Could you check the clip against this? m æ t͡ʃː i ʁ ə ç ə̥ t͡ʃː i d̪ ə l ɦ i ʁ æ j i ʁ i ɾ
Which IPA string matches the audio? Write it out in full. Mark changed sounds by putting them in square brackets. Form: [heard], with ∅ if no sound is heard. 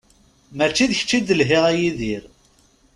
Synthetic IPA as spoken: m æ t͡ʃː i [ð] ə ç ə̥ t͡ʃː i d̪ ə l ɦ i ʁ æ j i [ð] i ɾ